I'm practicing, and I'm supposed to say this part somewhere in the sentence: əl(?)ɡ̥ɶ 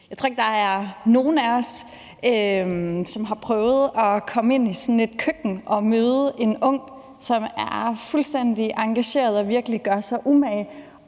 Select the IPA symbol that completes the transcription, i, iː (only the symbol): i